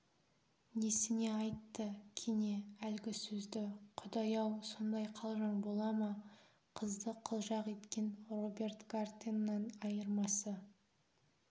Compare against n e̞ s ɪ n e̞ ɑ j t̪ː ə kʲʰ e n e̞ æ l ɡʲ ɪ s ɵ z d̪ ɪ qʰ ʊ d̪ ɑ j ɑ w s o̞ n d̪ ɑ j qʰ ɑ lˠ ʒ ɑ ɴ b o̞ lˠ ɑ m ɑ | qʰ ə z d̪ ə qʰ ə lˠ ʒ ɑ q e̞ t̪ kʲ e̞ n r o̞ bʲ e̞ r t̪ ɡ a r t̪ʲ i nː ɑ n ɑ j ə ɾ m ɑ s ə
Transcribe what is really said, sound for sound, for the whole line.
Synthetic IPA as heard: n e̞ s ɪ n e̞ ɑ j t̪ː ə kʲʰ e n e̞ æ l ɡʲ ɪ s ɵ z d̪ ɪ qʰ ʊ d̪ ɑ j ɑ w s o̞ n d̪ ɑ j qʰ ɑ lˠ ʒ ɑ ɴ b o̞ lˠ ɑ m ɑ | qʰ ə z d̪ ə qʰ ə lˠ ʒ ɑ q e̞ t̪ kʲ e̞ n r o̞ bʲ e̞ r t̪ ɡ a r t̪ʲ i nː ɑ n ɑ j ə ɾ m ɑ s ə